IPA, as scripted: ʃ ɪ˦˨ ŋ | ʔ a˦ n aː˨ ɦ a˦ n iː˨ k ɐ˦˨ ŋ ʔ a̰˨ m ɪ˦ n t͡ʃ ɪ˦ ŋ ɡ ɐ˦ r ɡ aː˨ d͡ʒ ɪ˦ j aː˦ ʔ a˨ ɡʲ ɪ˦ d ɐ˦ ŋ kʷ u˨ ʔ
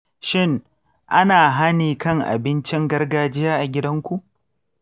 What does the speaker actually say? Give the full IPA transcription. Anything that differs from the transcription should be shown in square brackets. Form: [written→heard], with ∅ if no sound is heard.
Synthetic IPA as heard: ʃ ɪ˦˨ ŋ | ʔ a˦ n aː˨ ɦ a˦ n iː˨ k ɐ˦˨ ŋ ʔ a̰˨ [m→b] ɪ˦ n t͡ʃ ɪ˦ ŋ ɡ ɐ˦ r ɡ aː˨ d͡ʒ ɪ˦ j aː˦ ʔ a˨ ɡʲ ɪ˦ d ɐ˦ ŋ kʷ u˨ ʔ